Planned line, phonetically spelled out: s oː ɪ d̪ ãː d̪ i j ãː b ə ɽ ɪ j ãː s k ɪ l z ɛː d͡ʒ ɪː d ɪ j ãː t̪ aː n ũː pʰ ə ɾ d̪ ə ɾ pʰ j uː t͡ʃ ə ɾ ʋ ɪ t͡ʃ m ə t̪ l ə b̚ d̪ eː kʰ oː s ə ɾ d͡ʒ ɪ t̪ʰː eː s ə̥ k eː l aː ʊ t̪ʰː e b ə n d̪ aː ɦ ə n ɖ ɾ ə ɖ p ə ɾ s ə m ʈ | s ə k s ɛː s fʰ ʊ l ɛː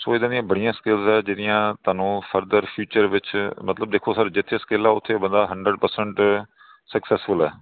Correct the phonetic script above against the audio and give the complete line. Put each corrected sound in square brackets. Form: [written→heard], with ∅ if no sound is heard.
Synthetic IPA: s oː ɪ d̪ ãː d̪ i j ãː b ə ɽ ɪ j ãː s k ɪ l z ɛː d͡ʒ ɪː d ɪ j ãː t̪ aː n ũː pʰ ə ɾ d̪ ə ɾ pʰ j uː t͡ʃ ə ɾ ʋ ɪ t͡ʃ m ə t̪ l ə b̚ d̪ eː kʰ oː s ə ɾ d͡ʒ ɪ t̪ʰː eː s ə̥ k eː l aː ʊ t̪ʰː e b ə n d̪ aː ɦ ə [n→ɳ] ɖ ɾ ə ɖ p ə ɾ s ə [m→ɳ] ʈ | s ə k s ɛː s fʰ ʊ l ɛː